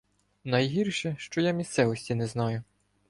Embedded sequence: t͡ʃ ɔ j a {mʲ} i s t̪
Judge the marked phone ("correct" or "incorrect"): correct